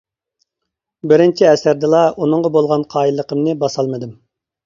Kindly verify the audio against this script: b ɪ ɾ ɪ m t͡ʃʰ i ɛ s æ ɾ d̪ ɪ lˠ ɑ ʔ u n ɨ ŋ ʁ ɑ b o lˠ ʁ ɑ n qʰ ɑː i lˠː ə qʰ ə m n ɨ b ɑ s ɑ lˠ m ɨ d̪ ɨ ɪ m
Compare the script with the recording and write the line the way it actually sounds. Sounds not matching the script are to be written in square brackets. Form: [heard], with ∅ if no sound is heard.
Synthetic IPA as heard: b ɪ ɾ ɪ [n] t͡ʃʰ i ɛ s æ ɾ d̪ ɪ lˠ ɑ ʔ u n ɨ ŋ ʁ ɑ b o lˠ ʁ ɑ n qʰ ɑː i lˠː ə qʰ ə m n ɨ b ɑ s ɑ lˠ m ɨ d̪ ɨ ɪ m

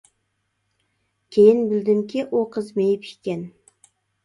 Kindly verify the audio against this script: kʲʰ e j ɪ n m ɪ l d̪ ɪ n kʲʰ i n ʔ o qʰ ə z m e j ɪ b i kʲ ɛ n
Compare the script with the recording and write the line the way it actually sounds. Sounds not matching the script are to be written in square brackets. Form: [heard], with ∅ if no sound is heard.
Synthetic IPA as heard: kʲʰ e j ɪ n [b] ɪ l d̪ ɪ [m] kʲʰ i [∅] ʔ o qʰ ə z m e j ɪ [p] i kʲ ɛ n

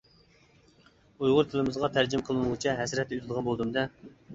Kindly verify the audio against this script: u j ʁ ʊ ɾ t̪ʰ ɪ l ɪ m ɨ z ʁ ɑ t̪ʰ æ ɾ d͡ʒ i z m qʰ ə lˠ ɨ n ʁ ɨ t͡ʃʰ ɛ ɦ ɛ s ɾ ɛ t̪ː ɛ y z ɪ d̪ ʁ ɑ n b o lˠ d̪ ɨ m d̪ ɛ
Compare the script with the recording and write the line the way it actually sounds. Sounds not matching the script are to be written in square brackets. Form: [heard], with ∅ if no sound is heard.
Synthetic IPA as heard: u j ʁ ʊ ɾ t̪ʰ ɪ l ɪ m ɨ z ʁ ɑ t̪ʰ æ ɾ d͡ʒ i [∅] m qʰ ə lˠ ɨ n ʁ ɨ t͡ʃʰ ɛ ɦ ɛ s ɾ ɛ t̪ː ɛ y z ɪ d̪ ʁ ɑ n b o lˠ d̪ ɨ m d̪ ɛ

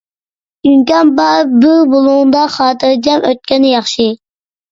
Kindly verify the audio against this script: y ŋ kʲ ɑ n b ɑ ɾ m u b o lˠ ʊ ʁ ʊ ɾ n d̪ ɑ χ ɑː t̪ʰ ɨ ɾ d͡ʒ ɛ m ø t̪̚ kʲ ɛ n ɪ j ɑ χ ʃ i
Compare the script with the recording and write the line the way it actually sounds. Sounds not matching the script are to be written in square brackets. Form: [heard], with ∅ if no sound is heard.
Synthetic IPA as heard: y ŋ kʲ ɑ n b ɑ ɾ [b] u b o lˠ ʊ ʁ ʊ [∅] n d̪ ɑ χ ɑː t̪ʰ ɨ ɾ d͡ʒ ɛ m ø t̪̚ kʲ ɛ n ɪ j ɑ χ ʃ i

